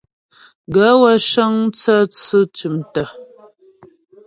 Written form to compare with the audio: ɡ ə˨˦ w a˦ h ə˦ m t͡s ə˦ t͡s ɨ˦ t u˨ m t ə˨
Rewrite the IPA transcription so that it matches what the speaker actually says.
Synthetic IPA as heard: ɡ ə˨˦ w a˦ ʃ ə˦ ŋ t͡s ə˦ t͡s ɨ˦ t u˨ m t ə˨